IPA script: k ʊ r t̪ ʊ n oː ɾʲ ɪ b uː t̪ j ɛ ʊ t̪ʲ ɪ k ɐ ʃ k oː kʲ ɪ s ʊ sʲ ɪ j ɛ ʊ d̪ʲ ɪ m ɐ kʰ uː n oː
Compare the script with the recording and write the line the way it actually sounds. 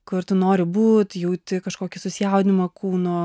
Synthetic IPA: k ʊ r t̪ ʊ n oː ɾʲ ɪ b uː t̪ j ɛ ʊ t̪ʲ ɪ k ɐ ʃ k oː kʲ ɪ s ʊ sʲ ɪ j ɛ ʊ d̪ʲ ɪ m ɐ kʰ uː n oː

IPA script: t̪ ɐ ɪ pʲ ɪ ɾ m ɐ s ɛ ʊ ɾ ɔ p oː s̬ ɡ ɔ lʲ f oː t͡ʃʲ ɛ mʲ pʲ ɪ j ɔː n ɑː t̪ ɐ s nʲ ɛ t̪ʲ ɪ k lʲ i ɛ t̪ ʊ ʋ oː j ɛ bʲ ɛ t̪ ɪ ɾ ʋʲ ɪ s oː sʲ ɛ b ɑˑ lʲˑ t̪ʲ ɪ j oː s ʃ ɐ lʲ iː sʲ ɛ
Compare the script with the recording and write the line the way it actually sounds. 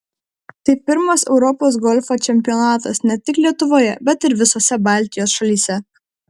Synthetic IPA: t̪ ɐ ɪ pʲ ɪ ɾ m ɐ s ɛ ʊ ɾ ɔ p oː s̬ ɡ ɔ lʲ f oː t͡ʃʲ ɛ mʲ pʲ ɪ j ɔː n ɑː t̪ ɐ s nʲ ɛ t̪ʲ ɪ k lʲ i ɛ t̪ ʊ ʋ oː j ɛ bʲ ɛ t̪ ɪ ɾ ʋʲ ɪ s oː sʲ ɛ b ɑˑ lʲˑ t̪ʲ ɪ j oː s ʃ ɐ lʲ iː sʲ ɛ

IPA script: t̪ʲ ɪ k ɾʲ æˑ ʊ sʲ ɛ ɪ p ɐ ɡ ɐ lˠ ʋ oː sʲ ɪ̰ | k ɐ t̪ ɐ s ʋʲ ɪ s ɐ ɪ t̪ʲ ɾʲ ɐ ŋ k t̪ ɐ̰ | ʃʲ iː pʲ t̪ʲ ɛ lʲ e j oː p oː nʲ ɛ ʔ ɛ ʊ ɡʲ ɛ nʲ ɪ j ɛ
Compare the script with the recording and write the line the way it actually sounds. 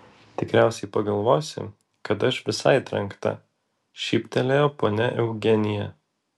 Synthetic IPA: t̪ʲ ɪ k ɾʲ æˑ ʊ sʲ ɛ ɪ p ɐ ɡ ɐ lˠ ʋ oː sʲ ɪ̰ | k ɐ t̪ ɐ ʃ ʋʲ ɪ s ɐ ɪ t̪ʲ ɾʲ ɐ ŋ k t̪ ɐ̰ | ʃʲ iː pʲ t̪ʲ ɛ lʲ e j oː p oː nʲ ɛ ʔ ɛ ʊ ɡʲ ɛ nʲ ɪ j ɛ

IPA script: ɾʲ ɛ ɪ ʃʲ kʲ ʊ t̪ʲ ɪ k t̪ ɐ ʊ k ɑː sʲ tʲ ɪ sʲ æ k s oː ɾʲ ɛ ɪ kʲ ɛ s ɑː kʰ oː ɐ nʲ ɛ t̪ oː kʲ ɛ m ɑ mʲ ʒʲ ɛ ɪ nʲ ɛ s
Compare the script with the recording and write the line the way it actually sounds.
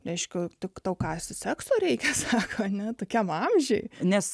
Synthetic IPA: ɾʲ ɛ ɪ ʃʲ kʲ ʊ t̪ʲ ɪ k t̪ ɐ ʊ k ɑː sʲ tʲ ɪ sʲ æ k s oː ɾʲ ɛ ɪ kʲ ɛ s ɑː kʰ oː ɐ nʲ ɛ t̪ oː kʲ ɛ m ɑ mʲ ʒʲ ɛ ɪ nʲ ɛ s

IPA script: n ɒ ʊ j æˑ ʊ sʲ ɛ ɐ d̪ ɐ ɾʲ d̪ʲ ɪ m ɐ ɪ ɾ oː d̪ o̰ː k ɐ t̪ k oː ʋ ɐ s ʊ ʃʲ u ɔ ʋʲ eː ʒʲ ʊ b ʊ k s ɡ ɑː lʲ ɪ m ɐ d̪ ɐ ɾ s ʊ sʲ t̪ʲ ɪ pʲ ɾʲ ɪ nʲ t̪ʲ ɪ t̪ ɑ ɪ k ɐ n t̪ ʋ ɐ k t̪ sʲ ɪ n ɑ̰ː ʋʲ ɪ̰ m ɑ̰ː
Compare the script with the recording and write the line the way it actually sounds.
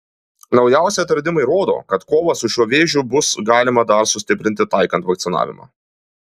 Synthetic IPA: n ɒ ʊ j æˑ ʊ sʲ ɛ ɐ t̪ ɐ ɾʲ d̪ʲ ɪ m ɐ ɪ ɾ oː d̪ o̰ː k ɐ t̪ k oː ʋ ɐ s ʊ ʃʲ u ɔ ʋʲ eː ʒʲ ʊ b ʊ s ɡ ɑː lʲ ɪ m ɐ d̪ ɐ ɾ s ʊ sʲ t̪ʲ ɪ pʲ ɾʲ ɪ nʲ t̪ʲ ɪ t̪ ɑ ɪ k ɐ n t̪ ʋ ɐ k t̪ sʲ ɪ n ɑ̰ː ʋʲ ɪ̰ m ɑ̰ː

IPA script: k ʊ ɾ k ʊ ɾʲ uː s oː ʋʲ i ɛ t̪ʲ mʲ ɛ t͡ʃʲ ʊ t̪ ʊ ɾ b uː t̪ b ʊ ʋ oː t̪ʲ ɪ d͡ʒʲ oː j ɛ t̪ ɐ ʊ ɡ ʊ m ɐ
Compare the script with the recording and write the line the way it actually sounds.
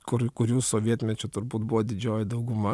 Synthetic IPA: k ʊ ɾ k ʊ ɾʲ uː s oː ʋʲ i ɛ t̪ʲ mʲ ɛ t͡ʃʲ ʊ t̪ ʊ ɾ b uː t̪ b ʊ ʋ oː d̪ʲ ɪ d͡ʒʲ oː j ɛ d̪ ɐ ʊ ɡ ʊ m ɐ

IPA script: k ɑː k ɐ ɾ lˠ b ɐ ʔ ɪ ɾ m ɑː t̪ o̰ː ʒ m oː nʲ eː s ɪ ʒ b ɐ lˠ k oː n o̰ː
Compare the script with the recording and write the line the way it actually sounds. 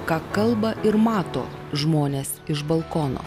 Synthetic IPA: k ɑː k ɐ lˠ b ɐ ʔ ɪ ɾ m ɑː t̪ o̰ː ʒ m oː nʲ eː s ɪ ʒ b ɐ lˠ k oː n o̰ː

